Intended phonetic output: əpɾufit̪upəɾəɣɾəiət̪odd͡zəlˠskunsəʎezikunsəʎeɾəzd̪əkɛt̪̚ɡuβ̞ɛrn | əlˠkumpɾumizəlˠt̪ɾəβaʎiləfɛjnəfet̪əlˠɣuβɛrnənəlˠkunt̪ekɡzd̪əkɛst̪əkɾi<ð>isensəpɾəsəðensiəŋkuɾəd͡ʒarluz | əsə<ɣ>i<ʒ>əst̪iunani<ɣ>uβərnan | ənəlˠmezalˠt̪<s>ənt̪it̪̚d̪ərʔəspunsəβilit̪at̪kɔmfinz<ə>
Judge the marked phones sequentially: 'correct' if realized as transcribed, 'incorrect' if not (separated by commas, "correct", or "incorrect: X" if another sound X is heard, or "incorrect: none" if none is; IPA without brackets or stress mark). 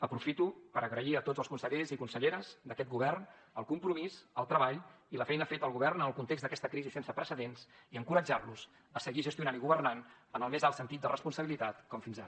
incorrect: z, correct, correct, correct, correct, incorrect: a